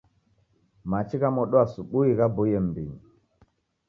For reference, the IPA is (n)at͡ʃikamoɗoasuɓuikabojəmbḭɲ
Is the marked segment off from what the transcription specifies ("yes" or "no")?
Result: yes